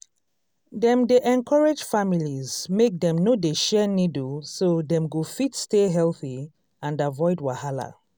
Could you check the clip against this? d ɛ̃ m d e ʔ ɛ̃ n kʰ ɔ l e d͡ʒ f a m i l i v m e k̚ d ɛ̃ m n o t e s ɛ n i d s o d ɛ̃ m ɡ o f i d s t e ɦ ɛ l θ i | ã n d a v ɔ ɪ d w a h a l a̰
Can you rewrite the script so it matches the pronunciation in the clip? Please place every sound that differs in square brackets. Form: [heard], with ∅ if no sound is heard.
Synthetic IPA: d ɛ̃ m d e ʔ ɛ̃ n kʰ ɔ [ɹ] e d͡ʒ f a m i l i [z] m e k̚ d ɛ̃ m n o [d] e [ʃ] ɛ n i d s o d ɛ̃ m ɡ o f i [t] s t e ɦ ɛ l θ i | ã n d a v ɔ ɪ d w a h a l a̰

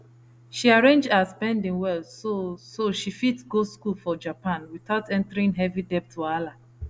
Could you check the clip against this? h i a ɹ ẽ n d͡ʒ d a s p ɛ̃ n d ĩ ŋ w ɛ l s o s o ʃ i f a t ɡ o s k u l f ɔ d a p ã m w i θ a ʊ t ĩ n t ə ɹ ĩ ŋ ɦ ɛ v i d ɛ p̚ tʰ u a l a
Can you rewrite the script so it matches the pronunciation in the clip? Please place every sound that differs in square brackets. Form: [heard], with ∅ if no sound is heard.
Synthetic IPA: [ʃ] i a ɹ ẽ n d͡ʒ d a s p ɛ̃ n d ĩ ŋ w ɛ l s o s o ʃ i f [i] t ɡ o s k u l f ɔ [d͡ʒ] a p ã [n] w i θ a ʊ t [ɛ̃] n t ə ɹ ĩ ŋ ɦ ɛ v i d ɛ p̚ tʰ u a l a

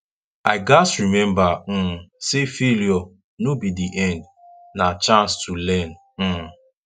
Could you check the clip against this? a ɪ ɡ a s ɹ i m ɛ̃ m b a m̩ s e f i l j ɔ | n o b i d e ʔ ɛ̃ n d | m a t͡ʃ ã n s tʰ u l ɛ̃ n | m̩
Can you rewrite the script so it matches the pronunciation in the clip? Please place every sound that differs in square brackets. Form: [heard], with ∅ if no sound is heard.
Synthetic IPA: a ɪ ɡ a s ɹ i m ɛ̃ m b a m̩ s e f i l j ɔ | n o b i d [i] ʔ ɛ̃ n d | [n] a t͡ʃ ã n s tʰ u l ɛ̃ n | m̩

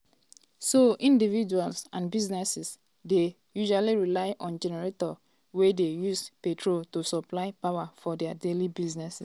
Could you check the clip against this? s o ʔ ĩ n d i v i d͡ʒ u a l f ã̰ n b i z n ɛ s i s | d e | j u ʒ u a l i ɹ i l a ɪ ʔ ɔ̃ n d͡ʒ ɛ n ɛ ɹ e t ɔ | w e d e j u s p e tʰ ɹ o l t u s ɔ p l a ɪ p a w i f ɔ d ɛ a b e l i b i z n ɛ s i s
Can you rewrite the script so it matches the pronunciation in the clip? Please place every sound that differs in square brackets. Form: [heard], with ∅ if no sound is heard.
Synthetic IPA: s o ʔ ĩ n d i v i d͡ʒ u a l [s] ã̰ n b i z n ɛ s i s | d e | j u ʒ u a l i ɹ i l a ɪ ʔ ɔ̃ n d͡ʒ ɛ n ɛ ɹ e t ɔ | w e d e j u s p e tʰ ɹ o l t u s ɔ p l a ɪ p a w [a] f ɔ d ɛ a [d] e l i b i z n ɛ s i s

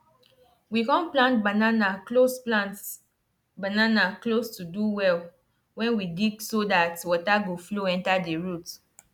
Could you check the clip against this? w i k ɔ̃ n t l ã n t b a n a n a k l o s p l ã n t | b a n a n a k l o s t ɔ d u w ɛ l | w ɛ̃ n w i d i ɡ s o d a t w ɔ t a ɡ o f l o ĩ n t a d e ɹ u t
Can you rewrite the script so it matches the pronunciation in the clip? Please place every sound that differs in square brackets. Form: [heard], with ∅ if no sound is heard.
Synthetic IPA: w i k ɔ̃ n [p] l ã n t b a n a n a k l o s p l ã n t | b a n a n a k l o s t [u] d u w ɛ l | w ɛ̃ n w i d i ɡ s o d a t w ɔ t a ɡ o f l o [ɛ̃] n t a d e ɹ u t

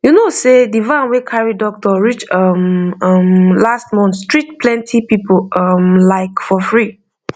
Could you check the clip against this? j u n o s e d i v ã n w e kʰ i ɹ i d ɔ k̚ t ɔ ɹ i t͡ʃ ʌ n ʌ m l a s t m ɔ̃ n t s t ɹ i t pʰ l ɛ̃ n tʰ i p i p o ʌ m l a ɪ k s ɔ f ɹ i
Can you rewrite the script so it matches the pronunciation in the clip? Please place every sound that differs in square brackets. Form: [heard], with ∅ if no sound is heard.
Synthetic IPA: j u n o s e d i v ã n w e kʰ [a] ɹ i d ɔ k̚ t ɔ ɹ i t͡ʃ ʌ [m] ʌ m l a s t m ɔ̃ n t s t ɹ i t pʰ l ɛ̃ n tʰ i p i p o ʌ m l a ɪ k [f] ɔ f ɹ i

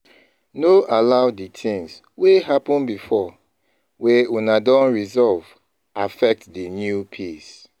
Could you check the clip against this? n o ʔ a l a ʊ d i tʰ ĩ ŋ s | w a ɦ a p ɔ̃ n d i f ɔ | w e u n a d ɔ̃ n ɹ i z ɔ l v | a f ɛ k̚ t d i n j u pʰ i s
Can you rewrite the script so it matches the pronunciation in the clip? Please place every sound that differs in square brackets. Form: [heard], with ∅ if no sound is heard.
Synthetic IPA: n o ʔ a l a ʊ d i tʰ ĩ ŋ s | w [e] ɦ a p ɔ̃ n [b] i f ɔ | w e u n a d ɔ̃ n ɹ i z ɔ l v | a f ɛ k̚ t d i n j u pʰ i s

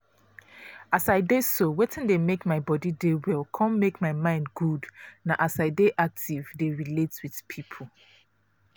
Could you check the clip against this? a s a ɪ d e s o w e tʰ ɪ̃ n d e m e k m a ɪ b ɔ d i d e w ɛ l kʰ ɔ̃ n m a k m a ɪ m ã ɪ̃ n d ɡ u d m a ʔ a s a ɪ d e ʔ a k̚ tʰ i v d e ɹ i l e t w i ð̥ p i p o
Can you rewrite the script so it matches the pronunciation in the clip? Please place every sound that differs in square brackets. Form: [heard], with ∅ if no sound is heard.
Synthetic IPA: a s a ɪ d e s o w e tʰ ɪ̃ n d e m e k m a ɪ b ɔ d i d e w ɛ l kʰ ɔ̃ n m [e] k m a ɪ m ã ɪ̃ n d ɡ u d [n] a ʔ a s a ɪ d e ʔ a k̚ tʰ i v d e ɹ i l e t w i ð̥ [pʰ] i [pʰ] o

